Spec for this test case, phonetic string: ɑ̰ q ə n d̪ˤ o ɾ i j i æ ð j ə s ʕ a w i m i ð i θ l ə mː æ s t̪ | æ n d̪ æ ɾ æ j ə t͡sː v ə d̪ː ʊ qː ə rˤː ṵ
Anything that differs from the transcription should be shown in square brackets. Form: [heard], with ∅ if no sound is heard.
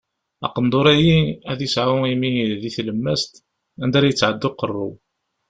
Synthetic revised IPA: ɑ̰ q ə n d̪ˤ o ɾ [æ] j i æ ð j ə s ʕ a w i m i ð i θ l ə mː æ s t̪ | æ n d̪ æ ɾ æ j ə t͡sː [ʕ] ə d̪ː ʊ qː ə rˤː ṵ